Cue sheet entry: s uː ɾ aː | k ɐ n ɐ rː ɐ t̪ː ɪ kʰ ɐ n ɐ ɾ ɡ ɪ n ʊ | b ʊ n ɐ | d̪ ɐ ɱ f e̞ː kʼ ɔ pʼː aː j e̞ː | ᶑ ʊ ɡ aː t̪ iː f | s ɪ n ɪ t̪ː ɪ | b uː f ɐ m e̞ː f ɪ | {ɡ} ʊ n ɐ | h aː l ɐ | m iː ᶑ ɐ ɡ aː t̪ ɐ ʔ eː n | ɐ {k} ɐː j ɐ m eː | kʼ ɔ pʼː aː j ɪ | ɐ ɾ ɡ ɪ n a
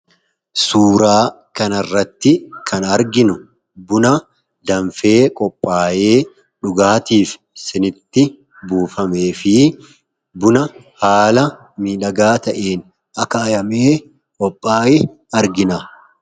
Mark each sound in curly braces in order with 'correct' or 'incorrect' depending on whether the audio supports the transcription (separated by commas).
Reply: incorrect, correct